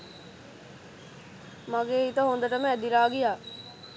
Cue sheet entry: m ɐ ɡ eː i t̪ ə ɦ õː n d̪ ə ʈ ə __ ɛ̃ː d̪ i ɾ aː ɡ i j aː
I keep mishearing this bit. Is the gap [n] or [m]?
m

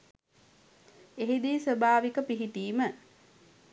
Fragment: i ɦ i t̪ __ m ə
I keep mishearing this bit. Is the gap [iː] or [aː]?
iː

